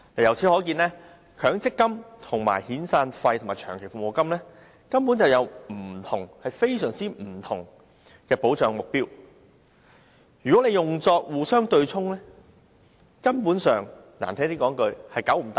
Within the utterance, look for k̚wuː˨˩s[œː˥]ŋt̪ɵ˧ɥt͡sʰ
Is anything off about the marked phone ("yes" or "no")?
no